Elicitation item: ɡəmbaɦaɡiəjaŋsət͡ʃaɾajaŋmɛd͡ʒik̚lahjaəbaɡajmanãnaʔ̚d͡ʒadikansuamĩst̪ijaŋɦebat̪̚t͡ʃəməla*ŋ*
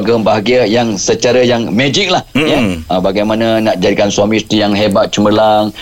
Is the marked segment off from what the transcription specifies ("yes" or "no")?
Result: no